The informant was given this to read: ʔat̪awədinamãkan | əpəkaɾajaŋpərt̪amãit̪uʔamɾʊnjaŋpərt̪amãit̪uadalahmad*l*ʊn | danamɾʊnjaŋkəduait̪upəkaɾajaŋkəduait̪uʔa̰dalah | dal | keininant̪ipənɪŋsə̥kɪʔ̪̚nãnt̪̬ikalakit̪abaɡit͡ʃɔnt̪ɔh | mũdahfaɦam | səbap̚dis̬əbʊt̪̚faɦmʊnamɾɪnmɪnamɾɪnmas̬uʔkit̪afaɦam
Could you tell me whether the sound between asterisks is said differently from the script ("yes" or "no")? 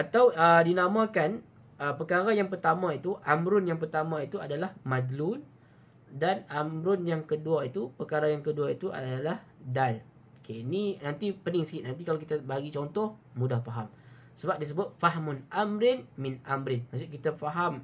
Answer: no